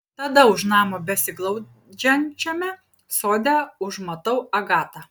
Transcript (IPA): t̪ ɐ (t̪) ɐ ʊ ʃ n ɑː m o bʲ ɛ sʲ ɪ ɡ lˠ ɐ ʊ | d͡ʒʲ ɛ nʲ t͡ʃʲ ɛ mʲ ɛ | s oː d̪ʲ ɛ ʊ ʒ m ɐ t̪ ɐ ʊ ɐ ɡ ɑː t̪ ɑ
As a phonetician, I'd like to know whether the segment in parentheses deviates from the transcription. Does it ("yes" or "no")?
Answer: yes